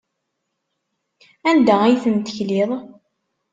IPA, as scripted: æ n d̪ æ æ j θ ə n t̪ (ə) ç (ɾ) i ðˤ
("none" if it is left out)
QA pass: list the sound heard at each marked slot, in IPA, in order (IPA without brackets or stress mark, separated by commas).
ə, l